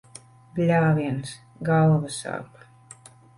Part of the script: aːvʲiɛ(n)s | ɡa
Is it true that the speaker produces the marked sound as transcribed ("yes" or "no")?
yes